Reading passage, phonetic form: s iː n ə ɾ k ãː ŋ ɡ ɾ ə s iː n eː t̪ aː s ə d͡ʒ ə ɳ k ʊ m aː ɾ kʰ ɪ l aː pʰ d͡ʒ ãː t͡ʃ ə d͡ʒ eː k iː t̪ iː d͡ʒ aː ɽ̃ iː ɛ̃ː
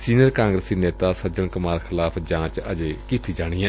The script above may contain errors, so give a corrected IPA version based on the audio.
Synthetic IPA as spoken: s iː n ə ɾ k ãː ŋ ɡ ɾ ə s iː n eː t̪ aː s ə d͡ʒ ə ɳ k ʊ m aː ɾ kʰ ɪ l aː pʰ d͡ʒ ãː t͡ʃ ə d͡ʒ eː k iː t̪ iː d͡ʒ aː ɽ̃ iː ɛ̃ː